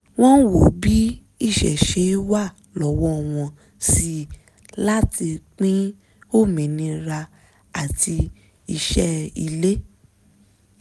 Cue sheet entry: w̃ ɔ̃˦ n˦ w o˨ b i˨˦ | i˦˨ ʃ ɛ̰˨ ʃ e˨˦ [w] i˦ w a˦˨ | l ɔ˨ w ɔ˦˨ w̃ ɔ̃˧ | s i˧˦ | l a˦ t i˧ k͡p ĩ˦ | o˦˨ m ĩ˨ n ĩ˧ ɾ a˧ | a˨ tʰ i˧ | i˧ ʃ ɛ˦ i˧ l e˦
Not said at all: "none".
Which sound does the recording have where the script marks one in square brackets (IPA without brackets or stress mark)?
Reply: none